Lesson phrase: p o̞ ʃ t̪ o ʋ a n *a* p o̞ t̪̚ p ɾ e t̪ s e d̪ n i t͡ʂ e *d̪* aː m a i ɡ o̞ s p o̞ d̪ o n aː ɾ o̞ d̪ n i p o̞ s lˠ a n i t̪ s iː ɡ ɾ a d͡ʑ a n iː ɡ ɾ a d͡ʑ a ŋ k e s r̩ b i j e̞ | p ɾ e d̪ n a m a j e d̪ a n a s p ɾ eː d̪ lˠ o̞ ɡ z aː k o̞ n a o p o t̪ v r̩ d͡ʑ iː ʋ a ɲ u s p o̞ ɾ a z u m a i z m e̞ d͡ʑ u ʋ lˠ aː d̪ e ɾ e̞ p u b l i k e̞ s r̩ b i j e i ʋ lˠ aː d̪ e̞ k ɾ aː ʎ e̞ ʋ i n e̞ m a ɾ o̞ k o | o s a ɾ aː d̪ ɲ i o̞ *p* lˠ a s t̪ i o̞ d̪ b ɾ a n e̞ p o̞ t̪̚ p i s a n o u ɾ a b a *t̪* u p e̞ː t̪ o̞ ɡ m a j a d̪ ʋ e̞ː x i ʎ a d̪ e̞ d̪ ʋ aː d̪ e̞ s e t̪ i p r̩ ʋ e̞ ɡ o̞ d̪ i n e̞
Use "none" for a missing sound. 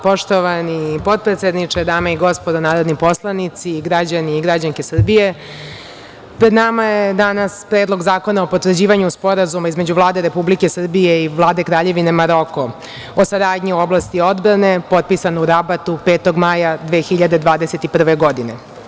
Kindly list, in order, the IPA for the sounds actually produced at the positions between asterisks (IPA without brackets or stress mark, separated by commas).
i, d̪, b, t̪